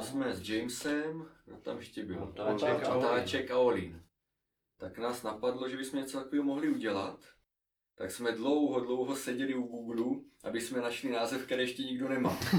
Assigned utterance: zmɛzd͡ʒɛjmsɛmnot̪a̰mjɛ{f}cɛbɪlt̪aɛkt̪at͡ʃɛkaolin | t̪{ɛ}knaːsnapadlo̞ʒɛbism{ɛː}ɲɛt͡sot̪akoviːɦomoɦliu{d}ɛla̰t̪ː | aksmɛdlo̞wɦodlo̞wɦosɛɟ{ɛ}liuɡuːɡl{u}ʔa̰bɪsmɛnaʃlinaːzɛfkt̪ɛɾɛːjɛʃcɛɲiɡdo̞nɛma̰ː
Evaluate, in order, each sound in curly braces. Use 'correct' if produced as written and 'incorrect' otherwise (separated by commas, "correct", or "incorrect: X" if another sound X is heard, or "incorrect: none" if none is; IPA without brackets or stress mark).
incorrect: ʃ, incorrect: a, incorrect: ɛ, incorrect: ɟ, correct, correct